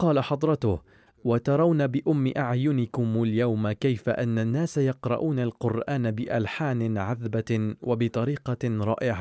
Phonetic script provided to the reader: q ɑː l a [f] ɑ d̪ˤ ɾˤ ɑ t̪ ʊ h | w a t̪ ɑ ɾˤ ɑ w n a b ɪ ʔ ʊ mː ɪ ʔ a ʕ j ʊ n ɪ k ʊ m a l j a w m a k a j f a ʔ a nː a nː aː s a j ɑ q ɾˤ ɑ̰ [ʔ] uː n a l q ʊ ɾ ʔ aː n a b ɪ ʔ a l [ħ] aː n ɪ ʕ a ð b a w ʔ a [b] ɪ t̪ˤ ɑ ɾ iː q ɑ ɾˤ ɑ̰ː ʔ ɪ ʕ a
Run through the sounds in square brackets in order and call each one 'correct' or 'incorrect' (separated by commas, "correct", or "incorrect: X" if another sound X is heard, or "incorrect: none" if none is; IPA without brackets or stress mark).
incorrect: ħ, correct, correct, correct